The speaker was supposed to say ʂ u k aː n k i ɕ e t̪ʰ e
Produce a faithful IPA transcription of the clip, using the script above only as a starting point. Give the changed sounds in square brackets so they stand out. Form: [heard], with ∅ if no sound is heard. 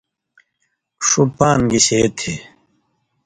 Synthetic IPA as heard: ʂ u [p] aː n [ɡ] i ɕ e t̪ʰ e

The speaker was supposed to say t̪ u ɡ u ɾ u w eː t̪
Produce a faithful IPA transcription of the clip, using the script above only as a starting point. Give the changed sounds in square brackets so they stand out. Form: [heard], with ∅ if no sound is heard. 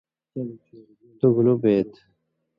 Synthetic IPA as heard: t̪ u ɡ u [l] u [b] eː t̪

